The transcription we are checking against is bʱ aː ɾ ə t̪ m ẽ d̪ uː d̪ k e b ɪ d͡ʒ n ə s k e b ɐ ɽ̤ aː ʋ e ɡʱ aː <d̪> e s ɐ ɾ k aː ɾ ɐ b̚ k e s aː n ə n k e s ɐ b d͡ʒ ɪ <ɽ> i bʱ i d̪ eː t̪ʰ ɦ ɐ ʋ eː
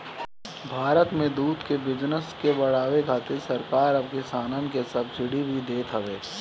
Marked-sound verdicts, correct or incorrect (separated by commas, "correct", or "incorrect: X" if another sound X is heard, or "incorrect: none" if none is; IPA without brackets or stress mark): incorrect: t̪, correct